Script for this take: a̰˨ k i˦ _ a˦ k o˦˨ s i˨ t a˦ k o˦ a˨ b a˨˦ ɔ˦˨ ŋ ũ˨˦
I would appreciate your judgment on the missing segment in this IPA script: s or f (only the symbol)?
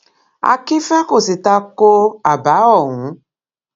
f